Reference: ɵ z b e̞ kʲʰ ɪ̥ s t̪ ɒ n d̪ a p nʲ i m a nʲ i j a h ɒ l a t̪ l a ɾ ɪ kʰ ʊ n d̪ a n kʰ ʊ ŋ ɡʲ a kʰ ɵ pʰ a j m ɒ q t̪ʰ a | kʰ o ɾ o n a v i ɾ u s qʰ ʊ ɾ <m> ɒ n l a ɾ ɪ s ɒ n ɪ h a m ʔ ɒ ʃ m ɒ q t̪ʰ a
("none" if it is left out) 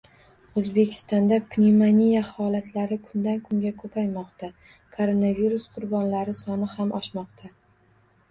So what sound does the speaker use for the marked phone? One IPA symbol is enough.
b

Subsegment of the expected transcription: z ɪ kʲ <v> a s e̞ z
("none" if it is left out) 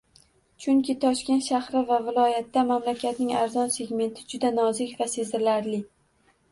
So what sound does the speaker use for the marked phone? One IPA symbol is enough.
v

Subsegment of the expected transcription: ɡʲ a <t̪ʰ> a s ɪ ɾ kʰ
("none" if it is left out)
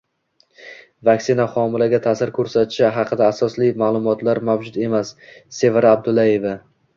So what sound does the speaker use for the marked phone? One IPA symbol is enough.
t̪ʰ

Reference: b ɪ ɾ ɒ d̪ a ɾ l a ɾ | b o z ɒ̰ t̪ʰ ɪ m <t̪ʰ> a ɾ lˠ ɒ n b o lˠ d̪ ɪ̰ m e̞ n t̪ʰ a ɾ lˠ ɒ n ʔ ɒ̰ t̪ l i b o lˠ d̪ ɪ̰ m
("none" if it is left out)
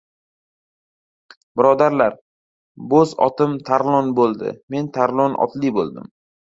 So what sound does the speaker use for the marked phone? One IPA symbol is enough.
t̪ʰ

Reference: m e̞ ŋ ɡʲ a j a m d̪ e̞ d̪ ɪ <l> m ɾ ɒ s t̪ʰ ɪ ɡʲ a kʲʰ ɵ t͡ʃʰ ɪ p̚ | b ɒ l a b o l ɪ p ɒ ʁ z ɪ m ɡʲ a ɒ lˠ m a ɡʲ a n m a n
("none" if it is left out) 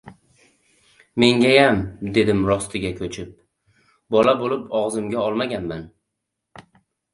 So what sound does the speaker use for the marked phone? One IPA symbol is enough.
none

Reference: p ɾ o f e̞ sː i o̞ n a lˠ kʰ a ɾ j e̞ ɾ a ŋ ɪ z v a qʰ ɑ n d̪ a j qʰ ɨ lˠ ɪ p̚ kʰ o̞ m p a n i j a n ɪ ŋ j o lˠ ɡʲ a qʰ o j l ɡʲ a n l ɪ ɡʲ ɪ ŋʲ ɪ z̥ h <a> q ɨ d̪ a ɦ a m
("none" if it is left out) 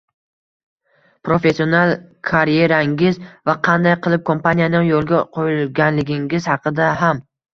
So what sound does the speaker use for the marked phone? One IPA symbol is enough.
ɑ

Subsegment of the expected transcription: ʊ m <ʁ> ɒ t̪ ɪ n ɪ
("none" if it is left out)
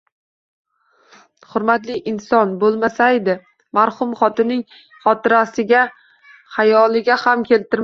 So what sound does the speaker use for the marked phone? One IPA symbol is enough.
χ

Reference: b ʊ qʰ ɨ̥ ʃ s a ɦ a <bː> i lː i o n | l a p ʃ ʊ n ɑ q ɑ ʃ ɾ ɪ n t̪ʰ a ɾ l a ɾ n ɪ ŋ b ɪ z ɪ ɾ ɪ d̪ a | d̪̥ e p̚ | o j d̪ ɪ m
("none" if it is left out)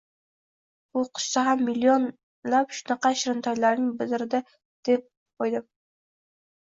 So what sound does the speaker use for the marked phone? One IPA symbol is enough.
mː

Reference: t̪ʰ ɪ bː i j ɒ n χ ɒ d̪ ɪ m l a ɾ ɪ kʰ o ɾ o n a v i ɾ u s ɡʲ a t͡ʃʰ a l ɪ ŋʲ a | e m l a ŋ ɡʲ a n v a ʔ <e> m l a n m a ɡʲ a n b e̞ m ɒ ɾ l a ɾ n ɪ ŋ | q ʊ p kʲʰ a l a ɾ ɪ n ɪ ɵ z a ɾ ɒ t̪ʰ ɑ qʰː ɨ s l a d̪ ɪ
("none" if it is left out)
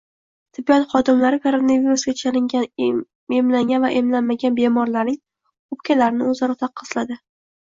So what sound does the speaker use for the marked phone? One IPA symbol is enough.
e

